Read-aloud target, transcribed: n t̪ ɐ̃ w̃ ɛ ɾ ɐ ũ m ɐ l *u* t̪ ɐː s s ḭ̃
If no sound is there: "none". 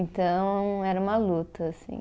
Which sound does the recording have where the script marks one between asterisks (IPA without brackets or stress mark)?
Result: u